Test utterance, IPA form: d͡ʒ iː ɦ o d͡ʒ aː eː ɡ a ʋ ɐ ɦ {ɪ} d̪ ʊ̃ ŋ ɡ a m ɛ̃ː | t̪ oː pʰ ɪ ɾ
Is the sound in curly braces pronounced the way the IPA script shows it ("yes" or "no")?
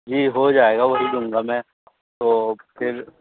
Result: no